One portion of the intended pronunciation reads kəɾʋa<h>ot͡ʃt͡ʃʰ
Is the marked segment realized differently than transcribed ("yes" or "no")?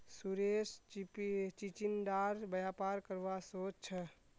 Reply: yes